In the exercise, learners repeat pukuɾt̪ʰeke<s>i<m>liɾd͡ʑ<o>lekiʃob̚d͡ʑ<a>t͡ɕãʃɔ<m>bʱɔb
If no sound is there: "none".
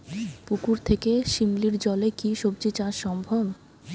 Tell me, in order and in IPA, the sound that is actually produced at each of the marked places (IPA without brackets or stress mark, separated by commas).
ʃ, m, ɔ, i, m